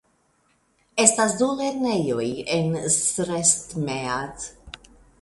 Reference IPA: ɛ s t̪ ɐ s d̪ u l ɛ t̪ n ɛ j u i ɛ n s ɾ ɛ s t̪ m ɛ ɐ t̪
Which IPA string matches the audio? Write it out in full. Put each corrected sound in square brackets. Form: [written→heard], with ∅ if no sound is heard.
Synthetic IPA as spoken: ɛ s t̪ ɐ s d̪ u l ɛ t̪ n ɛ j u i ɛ n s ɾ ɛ s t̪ m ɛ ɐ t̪